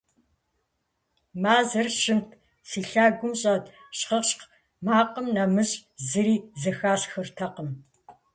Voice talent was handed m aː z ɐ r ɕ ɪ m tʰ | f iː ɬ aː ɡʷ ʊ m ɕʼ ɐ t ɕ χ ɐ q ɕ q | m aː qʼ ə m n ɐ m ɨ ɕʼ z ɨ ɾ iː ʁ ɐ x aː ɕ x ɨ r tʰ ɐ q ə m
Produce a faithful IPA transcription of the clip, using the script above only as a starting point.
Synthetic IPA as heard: m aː z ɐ r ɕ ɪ m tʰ | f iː ɬ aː ɡʷ ʊ m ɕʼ ɐ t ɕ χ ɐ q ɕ q | m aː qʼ ə m n ɐ m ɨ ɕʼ z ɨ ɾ iː z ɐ x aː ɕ x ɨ r tʰ ɐ q ə m